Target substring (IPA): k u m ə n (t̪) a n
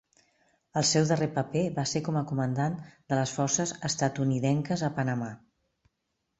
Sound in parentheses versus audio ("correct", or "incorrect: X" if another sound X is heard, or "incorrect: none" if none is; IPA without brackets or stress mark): incorrect: d̪